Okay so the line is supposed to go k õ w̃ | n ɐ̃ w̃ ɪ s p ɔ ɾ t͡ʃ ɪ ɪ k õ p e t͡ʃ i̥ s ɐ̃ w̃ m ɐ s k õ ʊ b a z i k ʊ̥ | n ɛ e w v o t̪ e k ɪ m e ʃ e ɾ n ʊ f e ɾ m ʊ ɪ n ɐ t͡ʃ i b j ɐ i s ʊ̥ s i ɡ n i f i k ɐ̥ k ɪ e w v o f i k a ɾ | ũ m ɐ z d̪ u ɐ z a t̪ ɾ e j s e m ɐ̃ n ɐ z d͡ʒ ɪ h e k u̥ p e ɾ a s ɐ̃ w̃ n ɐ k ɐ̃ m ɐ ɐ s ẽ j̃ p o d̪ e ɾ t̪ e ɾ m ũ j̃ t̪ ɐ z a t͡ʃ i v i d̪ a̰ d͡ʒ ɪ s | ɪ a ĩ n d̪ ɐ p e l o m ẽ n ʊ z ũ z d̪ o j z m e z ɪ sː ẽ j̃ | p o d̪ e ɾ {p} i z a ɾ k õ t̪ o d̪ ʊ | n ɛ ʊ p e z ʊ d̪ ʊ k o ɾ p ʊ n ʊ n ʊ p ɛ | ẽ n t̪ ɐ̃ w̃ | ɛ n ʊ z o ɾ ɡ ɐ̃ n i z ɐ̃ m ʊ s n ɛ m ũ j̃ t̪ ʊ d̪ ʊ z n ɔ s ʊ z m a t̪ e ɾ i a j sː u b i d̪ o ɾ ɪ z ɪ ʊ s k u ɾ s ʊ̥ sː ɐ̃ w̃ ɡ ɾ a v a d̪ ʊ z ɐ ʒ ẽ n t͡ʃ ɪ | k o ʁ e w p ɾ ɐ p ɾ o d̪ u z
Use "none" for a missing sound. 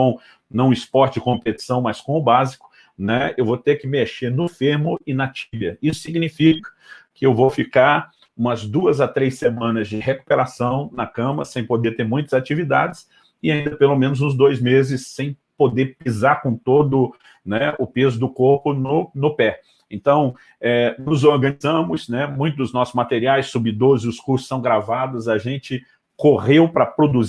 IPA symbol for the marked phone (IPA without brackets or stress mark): p